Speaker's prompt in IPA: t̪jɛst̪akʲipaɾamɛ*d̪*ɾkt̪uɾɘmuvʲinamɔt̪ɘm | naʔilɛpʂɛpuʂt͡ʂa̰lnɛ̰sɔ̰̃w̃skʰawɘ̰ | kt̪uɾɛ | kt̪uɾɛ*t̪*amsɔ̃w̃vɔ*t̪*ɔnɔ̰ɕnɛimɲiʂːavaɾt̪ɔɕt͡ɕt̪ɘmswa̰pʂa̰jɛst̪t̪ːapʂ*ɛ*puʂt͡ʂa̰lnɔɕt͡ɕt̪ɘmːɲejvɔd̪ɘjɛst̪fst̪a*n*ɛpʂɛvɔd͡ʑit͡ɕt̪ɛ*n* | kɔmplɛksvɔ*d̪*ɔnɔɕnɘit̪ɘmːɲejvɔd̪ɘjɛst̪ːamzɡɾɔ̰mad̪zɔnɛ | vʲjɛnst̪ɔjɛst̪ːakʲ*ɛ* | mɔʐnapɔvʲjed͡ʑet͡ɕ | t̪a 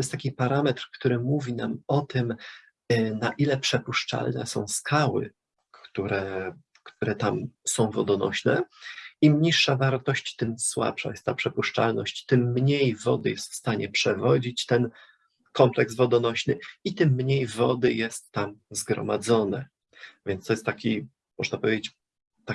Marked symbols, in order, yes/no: no, yes, no, yes, no, yes, yes, no

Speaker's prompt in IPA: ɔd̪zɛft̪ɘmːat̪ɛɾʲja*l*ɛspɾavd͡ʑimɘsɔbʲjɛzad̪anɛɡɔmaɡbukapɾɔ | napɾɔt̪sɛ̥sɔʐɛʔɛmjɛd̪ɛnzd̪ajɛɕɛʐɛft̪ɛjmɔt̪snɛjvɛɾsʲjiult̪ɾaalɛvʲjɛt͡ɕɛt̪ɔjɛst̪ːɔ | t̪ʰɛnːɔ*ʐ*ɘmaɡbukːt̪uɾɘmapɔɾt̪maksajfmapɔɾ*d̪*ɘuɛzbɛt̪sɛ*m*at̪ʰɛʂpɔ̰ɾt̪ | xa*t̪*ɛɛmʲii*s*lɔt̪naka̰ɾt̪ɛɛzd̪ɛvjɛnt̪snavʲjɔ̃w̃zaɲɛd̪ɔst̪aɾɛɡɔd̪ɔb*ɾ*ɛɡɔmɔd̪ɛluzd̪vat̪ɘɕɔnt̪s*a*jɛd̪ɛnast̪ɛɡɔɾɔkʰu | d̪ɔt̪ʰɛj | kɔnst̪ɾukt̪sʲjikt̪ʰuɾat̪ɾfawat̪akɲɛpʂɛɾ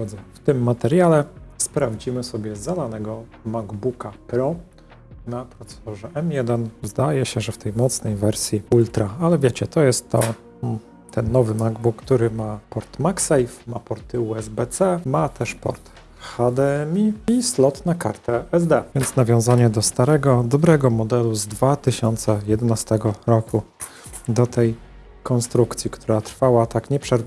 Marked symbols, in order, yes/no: yes, no, no, yes, no, yes, yes, no

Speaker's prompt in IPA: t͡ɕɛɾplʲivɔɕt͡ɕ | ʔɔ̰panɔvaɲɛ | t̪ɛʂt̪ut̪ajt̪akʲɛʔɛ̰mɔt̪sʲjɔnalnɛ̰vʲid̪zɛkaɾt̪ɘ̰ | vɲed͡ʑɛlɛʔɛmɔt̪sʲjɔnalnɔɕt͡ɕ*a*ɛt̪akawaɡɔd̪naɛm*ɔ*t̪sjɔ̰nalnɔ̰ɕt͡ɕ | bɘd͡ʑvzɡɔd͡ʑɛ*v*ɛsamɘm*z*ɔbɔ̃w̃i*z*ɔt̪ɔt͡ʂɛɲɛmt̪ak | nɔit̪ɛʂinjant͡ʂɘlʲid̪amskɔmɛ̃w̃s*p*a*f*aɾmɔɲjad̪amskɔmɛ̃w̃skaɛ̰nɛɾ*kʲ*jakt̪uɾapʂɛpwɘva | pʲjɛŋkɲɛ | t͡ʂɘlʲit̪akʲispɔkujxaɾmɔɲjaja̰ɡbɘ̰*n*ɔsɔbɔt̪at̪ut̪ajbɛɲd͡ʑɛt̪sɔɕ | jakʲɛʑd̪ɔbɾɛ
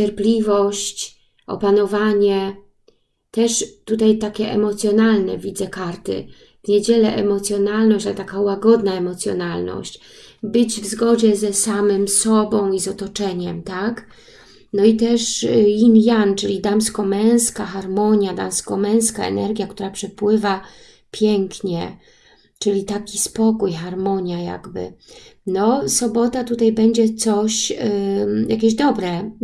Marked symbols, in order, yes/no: yes, yes, no, no, yes, no, no, no, yes

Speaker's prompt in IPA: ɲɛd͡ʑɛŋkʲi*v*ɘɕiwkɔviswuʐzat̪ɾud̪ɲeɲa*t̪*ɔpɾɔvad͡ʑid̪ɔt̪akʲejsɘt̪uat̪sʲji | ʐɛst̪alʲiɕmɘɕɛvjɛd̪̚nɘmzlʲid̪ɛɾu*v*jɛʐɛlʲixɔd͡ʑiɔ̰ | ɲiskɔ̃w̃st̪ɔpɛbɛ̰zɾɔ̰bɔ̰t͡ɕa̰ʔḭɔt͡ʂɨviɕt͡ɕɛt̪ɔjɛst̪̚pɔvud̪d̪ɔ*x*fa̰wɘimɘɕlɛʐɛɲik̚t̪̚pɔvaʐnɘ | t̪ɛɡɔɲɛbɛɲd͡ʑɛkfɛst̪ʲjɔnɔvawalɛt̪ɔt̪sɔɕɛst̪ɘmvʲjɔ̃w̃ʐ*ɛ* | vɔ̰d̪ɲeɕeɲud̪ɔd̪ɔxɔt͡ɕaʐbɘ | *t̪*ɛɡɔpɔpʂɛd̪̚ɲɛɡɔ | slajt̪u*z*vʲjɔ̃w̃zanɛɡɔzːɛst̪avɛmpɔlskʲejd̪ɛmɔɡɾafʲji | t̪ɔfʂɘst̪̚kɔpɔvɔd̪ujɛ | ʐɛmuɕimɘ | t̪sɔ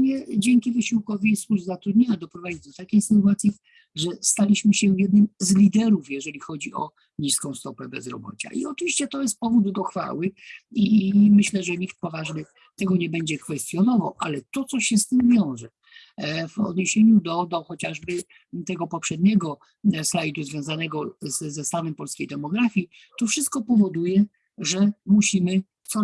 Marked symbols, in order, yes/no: yes, no, no, yes, yes, yes, yes

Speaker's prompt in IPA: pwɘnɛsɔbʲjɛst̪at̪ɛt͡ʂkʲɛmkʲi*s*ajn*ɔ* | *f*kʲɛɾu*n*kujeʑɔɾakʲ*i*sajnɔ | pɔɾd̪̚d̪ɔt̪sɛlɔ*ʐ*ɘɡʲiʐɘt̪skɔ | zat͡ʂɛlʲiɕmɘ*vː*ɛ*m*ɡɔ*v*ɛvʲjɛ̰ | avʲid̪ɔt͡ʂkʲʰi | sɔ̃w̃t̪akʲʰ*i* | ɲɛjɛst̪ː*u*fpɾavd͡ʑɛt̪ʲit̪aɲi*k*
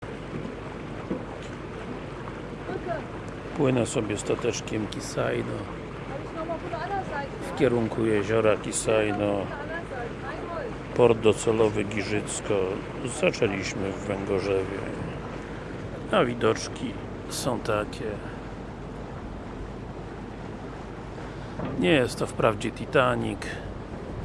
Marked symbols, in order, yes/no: yes, yes, yes, no, yes, no, yes, no, no, no, no, yes

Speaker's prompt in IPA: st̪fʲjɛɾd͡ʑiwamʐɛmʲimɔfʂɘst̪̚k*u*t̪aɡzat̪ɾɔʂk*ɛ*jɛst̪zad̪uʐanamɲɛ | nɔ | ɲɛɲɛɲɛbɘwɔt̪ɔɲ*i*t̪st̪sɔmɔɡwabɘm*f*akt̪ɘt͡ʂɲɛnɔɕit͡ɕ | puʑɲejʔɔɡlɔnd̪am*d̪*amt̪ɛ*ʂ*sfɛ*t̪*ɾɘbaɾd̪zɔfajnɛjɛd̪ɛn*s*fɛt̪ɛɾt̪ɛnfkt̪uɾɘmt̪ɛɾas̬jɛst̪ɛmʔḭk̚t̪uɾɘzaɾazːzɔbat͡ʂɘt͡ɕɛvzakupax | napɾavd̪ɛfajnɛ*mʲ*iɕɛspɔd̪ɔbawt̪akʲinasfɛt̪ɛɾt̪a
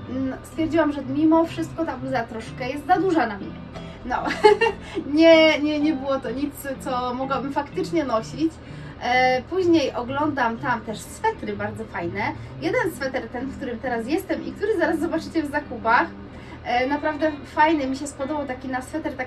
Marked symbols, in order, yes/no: no, yes, yes, yes, no, yes, yes, yes, yes

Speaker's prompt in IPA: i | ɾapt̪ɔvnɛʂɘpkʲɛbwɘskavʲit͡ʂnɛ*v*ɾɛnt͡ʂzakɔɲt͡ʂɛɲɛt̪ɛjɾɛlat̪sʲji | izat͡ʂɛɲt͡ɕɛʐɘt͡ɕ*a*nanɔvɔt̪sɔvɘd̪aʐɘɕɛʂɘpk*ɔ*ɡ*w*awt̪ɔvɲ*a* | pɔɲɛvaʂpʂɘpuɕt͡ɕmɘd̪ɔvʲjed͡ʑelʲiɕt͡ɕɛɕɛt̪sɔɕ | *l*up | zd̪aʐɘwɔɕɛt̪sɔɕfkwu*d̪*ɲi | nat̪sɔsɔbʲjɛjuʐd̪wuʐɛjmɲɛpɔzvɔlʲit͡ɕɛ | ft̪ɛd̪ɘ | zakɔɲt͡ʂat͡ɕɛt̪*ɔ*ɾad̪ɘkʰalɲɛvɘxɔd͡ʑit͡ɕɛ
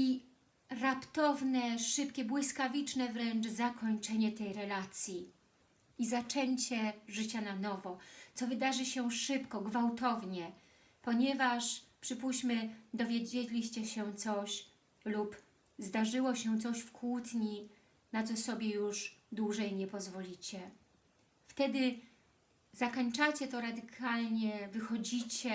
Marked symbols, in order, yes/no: yes, yes, yes, no, no, yes, no, yes

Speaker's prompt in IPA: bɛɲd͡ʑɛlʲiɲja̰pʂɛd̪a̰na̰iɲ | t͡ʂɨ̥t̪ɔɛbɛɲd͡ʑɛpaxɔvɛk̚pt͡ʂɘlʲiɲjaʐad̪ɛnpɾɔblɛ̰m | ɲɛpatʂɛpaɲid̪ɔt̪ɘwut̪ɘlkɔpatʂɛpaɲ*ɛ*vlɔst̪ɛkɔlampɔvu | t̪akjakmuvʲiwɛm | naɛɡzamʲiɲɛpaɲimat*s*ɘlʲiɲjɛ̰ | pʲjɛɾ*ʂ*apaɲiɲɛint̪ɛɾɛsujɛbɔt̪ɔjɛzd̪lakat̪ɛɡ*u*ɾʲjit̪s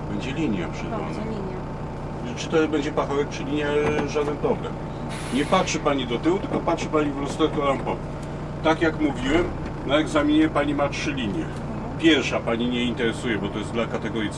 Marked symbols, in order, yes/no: no, no, yes, no

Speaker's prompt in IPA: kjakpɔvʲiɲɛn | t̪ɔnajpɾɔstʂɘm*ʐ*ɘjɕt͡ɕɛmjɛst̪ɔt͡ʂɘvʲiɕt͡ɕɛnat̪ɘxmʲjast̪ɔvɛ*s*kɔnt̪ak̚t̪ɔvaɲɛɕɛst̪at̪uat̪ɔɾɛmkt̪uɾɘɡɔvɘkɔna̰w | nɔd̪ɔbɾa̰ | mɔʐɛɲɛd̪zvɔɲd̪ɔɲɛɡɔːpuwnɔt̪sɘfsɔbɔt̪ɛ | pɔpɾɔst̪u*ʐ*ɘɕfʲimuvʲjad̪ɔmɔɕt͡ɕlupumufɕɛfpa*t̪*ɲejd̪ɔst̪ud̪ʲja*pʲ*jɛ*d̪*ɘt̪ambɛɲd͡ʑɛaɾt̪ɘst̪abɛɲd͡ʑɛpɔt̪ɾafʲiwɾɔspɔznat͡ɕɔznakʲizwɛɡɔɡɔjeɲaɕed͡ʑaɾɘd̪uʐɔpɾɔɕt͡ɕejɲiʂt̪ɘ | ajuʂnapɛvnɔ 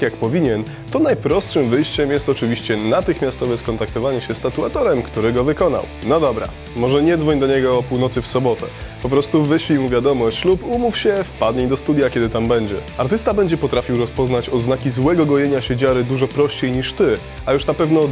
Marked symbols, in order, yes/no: no, yes, no, no, no, yes

